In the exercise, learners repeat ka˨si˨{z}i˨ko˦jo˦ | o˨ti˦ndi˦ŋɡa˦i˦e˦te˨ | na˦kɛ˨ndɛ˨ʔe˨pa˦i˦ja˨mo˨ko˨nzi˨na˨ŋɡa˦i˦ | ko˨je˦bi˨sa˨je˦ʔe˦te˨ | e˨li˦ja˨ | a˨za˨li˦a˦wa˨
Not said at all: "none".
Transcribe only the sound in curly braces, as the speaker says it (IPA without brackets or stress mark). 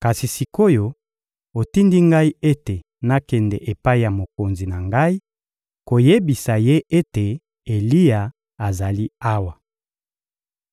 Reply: s